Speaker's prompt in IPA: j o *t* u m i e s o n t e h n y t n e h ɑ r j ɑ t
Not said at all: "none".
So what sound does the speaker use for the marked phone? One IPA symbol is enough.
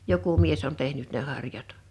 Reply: k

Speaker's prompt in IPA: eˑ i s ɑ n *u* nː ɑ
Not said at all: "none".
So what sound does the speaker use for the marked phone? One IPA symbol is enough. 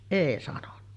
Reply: o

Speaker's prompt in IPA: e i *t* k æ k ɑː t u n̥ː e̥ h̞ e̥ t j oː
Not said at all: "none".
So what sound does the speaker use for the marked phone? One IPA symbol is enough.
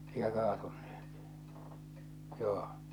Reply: none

